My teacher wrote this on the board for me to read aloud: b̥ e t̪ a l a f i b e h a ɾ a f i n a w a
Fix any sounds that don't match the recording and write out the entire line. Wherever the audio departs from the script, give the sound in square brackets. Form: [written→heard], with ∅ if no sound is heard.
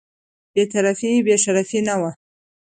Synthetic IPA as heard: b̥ e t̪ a [l→ɾ] a f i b e [h→ʃ] a ɾ a f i n a w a

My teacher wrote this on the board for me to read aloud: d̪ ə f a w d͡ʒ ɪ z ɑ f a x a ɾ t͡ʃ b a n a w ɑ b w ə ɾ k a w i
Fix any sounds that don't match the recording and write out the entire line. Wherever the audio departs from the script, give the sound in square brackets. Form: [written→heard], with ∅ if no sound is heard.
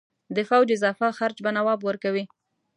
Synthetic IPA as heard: d̪ ə f a w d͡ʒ ɪ z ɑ f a x a ɾ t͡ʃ b a n a w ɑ b w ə ɾ k a w i

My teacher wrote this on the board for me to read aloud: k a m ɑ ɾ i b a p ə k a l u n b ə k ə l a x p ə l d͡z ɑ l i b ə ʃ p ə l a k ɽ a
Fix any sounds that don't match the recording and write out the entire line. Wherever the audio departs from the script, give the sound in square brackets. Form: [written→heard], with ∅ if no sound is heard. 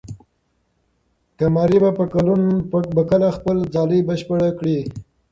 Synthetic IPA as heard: k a m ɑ ɾ i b a p ə k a l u n b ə k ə l a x p ə l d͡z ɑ l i b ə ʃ p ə [l→ɽ] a k ɽ [a→i]

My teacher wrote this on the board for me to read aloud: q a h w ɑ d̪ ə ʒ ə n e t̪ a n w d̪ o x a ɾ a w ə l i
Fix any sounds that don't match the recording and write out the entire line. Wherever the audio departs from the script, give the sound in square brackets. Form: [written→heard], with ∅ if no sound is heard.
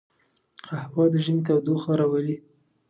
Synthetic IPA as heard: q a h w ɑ d̪ ə ʒ ə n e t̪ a [n→∅] w d̪ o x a ɾ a w ə l i

